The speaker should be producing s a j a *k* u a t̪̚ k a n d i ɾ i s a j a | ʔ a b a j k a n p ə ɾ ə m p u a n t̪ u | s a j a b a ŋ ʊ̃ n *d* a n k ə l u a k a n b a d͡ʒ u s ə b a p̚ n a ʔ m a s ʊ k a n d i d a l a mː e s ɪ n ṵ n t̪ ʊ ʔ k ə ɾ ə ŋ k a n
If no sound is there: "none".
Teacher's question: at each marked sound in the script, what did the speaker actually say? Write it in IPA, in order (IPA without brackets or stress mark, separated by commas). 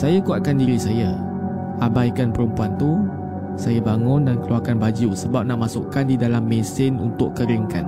k, d